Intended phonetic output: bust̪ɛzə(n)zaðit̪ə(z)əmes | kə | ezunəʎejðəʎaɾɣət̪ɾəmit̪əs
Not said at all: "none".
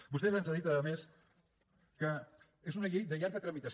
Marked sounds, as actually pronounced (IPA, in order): n, ð

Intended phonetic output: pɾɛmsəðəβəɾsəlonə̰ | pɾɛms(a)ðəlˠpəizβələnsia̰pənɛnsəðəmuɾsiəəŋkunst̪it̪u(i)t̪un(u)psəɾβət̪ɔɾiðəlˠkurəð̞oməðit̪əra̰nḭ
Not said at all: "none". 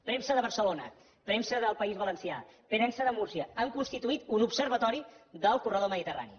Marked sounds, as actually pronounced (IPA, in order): ə, i, u

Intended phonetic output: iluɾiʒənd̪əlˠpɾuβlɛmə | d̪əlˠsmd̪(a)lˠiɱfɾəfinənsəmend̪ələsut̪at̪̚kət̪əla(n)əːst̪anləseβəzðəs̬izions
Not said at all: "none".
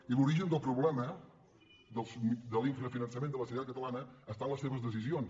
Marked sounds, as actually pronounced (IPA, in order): ə, n

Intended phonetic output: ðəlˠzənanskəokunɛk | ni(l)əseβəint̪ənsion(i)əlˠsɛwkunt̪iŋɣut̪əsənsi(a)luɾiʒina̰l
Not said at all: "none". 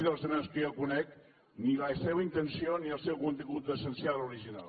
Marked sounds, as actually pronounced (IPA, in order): l, i, a

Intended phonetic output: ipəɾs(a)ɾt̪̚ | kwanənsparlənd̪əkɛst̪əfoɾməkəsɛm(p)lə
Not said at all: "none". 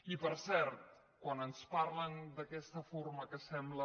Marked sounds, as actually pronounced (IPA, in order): ɛ, b

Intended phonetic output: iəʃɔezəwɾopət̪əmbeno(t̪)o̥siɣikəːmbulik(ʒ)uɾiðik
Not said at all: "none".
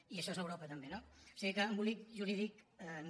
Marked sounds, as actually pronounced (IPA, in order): none, ʒ

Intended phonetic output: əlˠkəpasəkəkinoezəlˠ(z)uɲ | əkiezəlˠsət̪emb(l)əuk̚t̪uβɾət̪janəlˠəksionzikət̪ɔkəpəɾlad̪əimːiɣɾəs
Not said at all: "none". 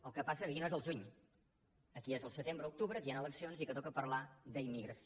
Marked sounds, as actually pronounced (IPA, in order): ʒ, ɾ

